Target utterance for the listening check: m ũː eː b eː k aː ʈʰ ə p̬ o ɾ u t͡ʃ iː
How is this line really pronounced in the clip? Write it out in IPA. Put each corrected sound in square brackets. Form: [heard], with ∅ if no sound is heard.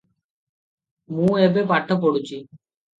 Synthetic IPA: m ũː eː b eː [p] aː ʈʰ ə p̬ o [ɽ] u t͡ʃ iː